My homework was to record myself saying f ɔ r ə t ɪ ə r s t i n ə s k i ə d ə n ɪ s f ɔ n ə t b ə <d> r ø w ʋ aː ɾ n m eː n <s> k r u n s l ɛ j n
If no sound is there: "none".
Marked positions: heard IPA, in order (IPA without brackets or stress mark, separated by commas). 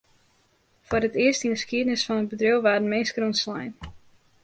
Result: d, s